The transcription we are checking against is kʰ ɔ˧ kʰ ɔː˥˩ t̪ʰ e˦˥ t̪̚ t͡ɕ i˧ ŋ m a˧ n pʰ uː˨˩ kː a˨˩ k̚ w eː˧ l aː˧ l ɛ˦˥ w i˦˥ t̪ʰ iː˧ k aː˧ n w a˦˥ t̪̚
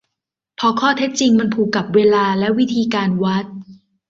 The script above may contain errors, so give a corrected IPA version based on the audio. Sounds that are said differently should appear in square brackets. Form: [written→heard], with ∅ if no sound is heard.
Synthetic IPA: [kʰ→pʰ] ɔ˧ kʰ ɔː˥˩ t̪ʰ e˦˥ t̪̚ t͡ɕ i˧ ŋ m a˧ n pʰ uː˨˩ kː a˨˩ [k̚→p̚] w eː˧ l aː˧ l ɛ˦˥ w i˦˥ t̪ʰ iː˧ k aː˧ n w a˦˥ t̪̚